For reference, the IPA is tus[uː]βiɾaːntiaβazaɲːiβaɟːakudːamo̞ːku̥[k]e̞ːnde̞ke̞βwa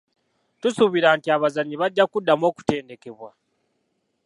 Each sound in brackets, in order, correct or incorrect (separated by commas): incorrect, incorrect